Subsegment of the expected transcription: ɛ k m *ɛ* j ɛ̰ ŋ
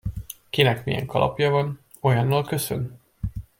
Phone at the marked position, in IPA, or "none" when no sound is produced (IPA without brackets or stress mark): i